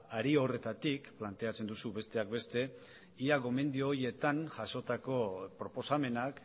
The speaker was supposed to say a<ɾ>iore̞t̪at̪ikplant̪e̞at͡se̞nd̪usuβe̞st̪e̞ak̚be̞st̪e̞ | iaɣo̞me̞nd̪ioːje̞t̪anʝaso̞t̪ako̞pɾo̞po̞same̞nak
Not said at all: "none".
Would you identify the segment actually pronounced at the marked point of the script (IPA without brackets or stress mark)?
ɾ